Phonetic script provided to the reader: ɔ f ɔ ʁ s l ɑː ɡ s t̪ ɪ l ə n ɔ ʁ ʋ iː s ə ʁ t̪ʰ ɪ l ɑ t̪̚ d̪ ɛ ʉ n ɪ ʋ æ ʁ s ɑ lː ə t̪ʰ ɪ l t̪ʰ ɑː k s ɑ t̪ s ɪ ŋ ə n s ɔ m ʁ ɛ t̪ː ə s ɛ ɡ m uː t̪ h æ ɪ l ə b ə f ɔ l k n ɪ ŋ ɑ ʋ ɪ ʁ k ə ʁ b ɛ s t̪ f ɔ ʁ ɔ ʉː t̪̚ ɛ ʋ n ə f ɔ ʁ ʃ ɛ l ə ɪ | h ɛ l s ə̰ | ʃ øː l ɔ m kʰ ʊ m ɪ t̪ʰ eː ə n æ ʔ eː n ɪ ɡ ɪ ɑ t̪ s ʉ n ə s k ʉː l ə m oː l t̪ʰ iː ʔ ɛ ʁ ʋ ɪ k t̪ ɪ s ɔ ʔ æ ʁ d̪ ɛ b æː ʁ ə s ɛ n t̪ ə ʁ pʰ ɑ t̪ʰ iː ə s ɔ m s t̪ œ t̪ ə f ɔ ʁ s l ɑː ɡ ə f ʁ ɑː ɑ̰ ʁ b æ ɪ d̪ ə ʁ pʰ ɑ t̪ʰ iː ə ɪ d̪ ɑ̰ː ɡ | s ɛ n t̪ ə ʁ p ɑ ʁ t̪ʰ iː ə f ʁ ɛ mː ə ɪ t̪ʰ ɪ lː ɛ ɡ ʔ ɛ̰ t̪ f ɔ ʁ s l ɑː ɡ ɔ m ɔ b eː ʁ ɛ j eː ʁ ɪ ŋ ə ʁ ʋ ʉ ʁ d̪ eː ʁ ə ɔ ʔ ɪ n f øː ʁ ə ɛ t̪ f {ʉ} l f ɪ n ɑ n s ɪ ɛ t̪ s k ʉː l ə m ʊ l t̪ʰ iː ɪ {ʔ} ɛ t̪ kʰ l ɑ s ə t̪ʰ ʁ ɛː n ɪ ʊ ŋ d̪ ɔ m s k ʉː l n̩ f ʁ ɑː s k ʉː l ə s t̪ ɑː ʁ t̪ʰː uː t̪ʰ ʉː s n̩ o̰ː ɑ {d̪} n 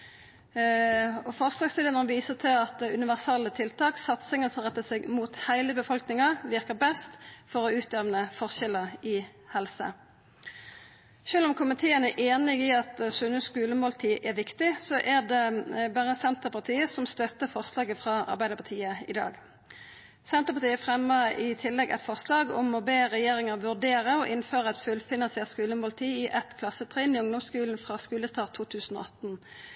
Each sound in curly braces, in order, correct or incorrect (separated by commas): correct, correct, incorrect